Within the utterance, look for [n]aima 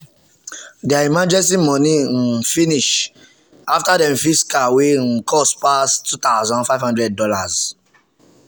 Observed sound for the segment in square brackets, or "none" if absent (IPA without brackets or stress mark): d